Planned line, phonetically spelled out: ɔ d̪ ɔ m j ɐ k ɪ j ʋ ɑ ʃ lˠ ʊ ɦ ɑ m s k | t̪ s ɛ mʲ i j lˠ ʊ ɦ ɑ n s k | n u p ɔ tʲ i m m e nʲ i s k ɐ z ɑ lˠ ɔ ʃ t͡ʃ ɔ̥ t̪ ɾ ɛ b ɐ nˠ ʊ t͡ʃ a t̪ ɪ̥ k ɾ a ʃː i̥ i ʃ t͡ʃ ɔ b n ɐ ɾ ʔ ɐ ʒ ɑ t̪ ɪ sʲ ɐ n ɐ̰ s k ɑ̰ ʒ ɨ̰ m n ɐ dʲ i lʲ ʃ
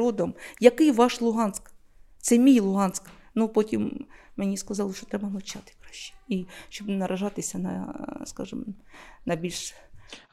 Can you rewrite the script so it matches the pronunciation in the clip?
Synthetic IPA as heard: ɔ d̪ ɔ m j ɐ k ɪ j ʋ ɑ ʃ lˠ ʊ ɦ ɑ n s k | t̪ s ɛ mʲ i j lˠ ʊ ɦ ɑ n s k | n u p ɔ tʲ i m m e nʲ i s k ɐ z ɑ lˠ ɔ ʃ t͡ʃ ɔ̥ t̪ ɾ ɛ b ɐ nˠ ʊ t͡ʃ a t̪ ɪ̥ k ɾ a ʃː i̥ i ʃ t͡ʃ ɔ b n ɐ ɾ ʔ ɐ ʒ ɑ t̪ ɪ sʲ ɐ n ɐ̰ s k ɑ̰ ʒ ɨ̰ m n ɐ bʲ i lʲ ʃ